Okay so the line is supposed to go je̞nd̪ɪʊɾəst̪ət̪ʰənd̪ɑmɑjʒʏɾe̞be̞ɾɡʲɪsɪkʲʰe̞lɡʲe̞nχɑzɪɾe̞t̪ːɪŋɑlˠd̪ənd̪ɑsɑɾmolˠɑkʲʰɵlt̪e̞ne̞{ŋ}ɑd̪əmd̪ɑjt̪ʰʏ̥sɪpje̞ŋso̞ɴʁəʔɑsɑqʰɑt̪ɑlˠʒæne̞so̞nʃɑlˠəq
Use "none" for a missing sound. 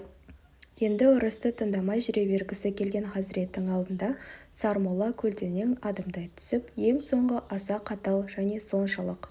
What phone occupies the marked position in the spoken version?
ŋ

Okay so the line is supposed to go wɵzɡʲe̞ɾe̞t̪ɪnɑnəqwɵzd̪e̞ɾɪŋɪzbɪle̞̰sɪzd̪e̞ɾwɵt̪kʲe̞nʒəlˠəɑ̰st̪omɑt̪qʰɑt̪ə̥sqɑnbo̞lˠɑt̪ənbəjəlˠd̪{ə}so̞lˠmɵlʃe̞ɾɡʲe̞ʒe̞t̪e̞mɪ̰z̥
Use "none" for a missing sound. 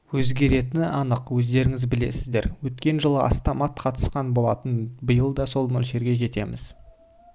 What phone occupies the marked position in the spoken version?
ɑ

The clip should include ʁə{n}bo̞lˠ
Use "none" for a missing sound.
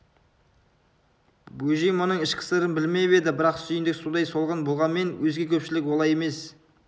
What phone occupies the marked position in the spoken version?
n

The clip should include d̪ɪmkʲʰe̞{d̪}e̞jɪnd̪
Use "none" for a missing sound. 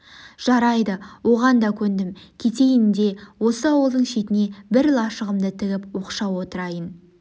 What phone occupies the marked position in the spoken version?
t̪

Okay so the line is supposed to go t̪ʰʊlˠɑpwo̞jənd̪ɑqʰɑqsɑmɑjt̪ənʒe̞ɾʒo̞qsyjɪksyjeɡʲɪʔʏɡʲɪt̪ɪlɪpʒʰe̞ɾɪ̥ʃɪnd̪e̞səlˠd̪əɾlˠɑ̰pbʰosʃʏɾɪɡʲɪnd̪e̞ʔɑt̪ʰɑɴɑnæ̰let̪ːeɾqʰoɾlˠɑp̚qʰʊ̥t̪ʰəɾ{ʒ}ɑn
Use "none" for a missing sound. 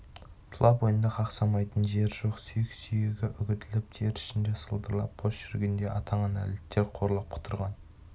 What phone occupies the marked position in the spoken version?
ʁ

